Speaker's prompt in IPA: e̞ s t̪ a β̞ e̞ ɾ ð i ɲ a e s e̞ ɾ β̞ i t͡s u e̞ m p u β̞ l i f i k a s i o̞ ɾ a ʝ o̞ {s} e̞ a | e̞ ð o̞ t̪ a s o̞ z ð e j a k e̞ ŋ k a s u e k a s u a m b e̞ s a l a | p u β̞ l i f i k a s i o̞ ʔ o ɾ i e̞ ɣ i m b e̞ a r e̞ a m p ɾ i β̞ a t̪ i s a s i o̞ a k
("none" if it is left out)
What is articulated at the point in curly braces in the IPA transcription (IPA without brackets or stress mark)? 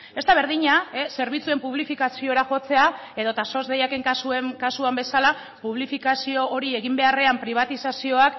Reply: t͡s